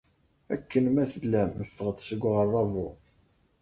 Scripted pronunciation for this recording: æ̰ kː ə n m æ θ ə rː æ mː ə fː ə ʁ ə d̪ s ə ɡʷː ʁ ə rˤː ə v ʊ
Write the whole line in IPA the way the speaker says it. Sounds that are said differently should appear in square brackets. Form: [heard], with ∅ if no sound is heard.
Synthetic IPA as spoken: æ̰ kː ə n m æ θ ə [lː] æ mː ə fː ə ʁ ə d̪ s ə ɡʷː ʁ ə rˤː [ɑ] v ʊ